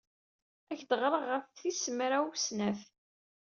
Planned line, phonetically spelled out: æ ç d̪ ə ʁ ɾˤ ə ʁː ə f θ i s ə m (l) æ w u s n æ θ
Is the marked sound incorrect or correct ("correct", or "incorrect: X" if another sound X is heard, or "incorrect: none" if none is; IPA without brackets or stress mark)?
incorrect: ɾ